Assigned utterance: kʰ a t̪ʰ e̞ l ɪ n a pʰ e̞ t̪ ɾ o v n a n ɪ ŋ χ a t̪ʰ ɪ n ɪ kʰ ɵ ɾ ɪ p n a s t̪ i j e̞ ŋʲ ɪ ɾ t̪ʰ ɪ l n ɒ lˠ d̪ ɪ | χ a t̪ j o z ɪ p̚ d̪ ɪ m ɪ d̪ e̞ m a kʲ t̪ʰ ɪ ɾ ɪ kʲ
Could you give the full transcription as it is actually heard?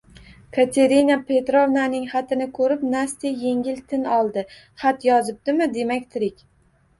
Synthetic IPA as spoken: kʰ a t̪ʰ e̞ ɾ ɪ n a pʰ e̞ t̪ ɾ o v n a n ɪ ŋ χ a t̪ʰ ɪ n ɪ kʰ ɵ ɾ ɪ p n a s t̪ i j e̞ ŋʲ ɪ l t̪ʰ ɪ n ɒ lˠ d̪ ɪ | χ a t̪ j ɒ z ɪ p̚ d̪ ɪ m ɪ d̪ e̞ m a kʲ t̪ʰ ɪ ɾ ɪ kʲ